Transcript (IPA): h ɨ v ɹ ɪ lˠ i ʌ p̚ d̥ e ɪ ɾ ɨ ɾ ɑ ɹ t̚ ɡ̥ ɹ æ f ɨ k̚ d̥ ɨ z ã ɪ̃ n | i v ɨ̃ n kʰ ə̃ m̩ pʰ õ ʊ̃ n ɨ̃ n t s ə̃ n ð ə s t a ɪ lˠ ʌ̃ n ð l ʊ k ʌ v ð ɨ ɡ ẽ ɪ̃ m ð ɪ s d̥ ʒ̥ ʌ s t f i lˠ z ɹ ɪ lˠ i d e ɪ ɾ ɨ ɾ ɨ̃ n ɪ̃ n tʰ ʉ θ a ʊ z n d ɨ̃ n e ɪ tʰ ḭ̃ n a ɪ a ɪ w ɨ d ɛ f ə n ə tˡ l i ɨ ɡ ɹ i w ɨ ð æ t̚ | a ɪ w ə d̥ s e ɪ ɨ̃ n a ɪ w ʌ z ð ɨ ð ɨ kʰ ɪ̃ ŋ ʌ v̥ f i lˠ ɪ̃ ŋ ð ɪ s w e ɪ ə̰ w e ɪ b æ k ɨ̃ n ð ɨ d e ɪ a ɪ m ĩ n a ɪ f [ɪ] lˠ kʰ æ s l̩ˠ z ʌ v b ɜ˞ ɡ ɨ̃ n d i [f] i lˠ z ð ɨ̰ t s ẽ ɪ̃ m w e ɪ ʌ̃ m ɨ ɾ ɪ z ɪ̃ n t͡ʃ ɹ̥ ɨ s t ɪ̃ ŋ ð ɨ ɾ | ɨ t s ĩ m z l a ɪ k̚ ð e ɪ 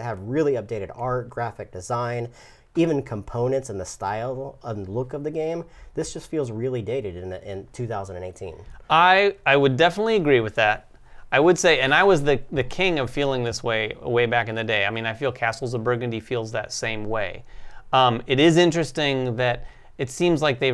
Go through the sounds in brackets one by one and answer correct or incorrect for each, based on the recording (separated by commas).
incorrect, correct